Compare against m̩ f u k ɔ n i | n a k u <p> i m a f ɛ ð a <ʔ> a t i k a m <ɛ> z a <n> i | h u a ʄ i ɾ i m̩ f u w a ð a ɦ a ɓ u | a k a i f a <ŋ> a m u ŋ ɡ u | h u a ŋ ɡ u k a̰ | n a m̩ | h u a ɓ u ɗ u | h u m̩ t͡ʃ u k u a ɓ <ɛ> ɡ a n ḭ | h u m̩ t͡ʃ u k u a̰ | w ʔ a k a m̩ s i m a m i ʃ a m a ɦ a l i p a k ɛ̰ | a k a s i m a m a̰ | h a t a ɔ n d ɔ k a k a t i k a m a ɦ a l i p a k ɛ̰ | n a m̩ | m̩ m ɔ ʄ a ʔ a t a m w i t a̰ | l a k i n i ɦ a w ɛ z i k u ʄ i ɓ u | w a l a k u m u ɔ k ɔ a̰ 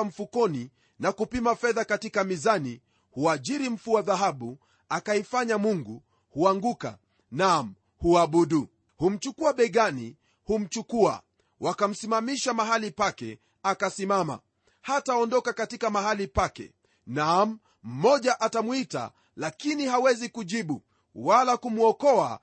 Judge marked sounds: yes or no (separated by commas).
yes, no, no, yes, no, yes